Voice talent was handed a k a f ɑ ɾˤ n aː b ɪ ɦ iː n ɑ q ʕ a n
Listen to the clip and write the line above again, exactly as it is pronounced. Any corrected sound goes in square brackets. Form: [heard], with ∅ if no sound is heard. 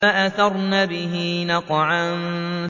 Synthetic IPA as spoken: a [ʔ] a [θ] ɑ ɾˤ n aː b ɪ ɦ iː n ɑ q ʕ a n